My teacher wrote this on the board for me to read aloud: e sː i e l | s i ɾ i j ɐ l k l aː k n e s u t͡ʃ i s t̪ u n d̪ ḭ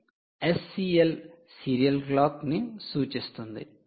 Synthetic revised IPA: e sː i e l | s i ɾ i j ɐ l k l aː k n i s uː t͡ʃ i s t̪ u n d̪ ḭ